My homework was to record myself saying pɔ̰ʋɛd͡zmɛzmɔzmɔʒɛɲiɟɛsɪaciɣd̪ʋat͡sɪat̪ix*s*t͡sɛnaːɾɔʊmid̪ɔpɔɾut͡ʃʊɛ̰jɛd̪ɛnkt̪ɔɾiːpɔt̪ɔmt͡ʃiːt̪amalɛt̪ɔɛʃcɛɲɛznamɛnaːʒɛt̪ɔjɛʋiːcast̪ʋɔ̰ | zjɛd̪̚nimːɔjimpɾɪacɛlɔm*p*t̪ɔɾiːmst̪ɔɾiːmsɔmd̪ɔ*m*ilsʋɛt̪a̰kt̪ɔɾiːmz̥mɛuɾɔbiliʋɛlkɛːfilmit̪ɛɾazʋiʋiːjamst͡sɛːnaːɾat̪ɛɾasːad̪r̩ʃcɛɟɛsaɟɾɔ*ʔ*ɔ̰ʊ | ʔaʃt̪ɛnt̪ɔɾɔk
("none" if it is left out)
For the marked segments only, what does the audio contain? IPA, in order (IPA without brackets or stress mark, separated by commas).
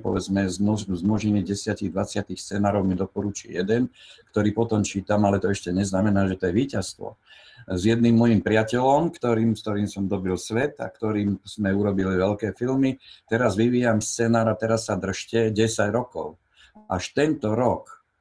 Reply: s, k, b, k